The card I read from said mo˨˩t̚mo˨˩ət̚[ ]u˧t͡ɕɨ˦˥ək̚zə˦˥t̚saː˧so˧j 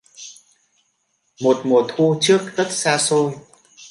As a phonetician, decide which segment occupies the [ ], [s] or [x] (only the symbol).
x